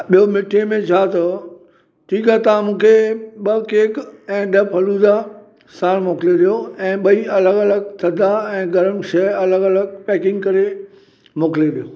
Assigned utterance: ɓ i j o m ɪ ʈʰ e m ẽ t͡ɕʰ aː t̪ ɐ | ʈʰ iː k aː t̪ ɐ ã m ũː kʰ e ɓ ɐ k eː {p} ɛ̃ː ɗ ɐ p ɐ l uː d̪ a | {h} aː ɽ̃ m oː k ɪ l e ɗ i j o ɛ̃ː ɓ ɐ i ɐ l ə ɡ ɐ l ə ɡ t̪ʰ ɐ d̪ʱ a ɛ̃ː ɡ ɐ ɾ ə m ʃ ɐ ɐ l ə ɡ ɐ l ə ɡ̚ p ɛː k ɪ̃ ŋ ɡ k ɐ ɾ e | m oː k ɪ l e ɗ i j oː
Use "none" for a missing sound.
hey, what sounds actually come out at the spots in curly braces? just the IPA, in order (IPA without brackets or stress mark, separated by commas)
k, s